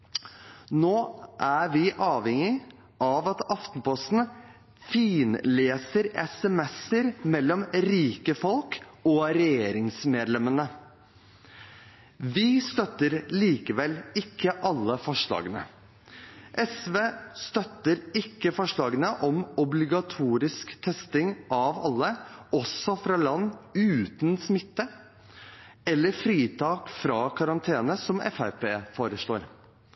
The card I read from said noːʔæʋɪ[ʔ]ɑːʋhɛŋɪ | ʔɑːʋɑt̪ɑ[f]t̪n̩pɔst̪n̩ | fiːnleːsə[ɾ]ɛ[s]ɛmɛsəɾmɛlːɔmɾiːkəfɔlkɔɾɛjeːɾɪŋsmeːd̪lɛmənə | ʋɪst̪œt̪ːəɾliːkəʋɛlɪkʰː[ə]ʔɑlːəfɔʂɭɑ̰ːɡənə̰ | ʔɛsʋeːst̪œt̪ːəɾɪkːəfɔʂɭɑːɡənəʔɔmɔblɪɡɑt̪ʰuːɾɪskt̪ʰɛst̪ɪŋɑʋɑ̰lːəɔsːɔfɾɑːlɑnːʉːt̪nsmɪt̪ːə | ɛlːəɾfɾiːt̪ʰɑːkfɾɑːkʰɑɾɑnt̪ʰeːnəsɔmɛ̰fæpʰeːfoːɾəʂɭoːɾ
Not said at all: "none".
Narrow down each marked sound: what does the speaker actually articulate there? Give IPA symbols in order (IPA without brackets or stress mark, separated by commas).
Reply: ʔ, f, ɾ, s, ə